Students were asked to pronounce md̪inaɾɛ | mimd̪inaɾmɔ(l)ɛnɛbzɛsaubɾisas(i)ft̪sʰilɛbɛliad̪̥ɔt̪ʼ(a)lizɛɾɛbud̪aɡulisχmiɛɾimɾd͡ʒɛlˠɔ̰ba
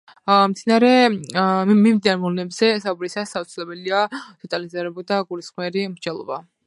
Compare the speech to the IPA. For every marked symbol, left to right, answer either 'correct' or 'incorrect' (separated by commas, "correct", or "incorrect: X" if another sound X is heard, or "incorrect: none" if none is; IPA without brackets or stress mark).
correct, incorrect: a, correct